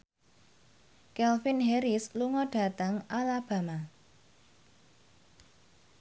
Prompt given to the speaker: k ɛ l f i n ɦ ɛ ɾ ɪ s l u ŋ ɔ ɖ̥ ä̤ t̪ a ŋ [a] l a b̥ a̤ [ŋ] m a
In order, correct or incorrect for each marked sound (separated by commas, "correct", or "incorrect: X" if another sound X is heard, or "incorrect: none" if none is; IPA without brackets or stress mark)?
correct, incorrect: none